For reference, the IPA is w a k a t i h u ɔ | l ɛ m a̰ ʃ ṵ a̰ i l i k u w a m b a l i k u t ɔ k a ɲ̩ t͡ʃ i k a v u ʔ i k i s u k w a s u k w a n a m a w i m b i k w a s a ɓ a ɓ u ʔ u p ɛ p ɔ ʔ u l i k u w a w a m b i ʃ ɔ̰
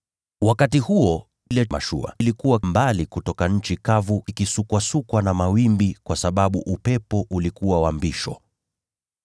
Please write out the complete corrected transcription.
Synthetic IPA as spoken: w a k a t i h u ɔ | l ɛ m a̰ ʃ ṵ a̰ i l i k u w a m b a l i k u t ɔ k a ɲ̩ t͡ʃ i k a v u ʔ i k i s u k w a s u k w a n a m a w i m b i k w a s a ɓ a ɓ u ʔ u p ɛ p ɔ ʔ u l i k u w a w a m b i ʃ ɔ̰